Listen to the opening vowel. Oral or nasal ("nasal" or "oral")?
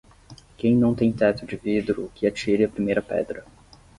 nasal